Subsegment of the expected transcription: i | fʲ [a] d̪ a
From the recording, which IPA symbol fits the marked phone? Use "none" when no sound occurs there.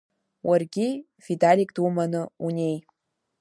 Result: i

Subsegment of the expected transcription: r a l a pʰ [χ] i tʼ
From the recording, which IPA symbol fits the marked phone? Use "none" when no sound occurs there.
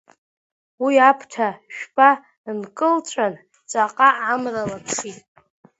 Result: ʂ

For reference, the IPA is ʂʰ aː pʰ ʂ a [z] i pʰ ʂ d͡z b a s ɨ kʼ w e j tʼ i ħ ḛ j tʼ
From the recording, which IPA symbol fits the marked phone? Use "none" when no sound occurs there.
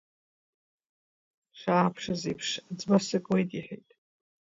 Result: z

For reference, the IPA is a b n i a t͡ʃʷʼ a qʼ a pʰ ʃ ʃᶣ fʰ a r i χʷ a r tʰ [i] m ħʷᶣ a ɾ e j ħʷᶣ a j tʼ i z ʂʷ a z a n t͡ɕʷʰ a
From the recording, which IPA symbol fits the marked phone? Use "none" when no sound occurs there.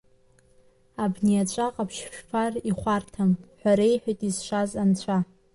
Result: a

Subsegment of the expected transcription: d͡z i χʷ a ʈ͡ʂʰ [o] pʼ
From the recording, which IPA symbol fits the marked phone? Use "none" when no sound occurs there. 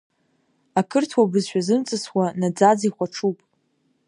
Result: u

